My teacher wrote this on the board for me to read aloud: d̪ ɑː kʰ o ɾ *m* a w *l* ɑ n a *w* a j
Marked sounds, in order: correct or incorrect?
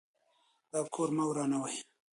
correct, incorrect, correct

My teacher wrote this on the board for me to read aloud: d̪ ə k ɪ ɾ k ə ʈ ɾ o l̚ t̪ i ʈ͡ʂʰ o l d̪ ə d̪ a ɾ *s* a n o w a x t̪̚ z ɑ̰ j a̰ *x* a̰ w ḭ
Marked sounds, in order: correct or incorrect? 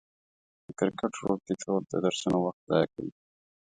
correct, incorrect

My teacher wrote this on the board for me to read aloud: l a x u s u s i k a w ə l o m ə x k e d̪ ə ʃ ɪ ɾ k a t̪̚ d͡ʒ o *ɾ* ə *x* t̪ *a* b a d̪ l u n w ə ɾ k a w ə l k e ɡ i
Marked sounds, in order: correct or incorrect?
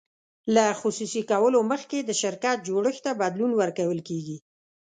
incorrect, correct, correct

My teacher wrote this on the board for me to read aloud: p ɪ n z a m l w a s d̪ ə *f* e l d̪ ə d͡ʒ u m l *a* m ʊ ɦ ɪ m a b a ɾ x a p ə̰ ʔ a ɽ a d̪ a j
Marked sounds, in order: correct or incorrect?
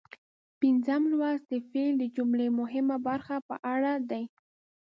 correct, incorrect

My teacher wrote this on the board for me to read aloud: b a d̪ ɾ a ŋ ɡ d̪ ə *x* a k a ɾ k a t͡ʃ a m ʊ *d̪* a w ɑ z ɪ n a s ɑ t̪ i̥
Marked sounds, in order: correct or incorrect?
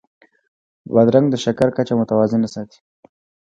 incorrect, incorrect

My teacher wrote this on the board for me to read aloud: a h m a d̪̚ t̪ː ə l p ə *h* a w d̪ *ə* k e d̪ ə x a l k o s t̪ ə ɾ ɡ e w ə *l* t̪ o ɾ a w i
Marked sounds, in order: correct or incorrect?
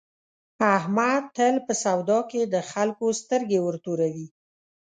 incorrect, incorrect, incorrect

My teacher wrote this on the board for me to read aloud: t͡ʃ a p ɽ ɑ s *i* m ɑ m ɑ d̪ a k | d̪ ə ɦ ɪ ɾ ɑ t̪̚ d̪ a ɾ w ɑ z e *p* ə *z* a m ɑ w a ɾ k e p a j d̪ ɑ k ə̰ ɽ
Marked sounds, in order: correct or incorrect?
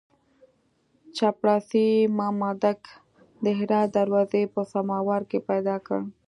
correct, correct, incorrect

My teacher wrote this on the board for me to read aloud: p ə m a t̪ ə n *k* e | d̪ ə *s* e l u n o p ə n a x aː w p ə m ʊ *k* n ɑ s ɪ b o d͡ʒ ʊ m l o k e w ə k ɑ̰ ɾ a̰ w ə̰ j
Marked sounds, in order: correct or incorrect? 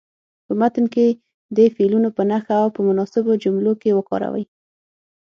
correct, incorrect, incorrect

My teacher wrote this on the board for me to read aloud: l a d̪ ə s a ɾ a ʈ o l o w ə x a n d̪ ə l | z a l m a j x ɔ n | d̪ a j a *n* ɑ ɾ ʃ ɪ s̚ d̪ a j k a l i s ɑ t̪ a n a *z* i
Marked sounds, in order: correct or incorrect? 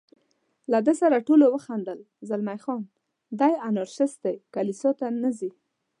correct, correct

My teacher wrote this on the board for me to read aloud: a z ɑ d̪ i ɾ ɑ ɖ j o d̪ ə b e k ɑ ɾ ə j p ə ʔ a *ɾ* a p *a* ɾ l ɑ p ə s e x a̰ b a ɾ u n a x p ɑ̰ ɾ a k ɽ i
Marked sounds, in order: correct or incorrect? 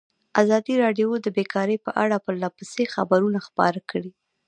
incorrect, incorrect

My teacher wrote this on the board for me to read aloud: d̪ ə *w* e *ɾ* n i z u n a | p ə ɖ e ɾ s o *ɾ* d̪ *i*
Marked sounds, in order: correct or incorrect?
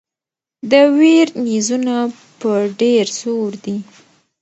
correct, correct, correct, correct

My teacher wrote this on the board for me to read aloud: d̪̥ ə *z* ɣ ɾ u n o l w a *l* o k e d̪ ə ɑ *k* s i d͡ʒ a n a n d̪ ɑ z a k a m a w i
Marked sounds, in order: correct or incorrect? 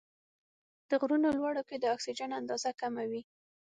incorrect, incorrect, correct

